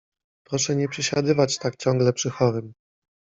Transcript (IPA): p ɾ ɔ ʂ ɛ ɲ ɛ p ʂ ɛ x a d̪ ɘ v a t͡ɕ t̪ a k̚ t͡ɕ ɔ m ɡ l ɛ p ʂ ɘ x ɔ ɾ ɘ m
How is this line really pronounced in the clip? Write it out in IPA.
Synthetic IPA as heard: p ɾ ɔ ʂ ɛ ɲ ɛ p ʂ ɛ ɕ a d̪ ɘ v a t͡ɕ t̪ a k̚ t͡ɕ ɔ ŋ ɡ l ɛ p ʂ ɘ x ɔ ɾ ɘ m